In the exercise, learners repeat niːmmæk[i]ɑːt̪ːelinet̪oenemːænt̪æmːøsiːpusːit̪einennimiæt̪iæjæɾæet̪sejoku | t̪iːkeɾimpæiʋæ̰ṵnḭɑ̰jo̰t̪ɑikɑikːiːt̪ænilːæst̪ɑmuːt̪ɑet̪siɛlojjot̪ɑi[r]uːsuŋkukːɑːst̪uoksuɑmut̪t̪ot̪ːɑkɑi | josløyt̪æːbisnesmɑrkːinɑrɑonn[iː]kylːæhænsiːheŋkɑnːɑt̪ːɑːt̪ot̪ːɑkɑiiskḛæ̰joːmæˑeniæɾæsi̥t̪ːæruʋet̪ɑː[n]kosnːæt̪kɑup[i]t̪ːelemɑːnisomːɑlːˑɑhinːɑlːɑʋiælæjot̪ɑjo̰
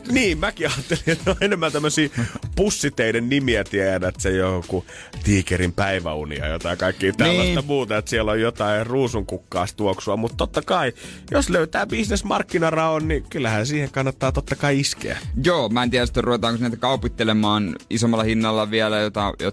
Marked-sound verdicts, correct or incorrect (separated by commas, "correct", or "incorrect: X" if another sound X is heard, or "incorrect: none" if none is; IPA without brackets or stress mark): correct, correct, incorrect: i, incorrect: ŋ, correct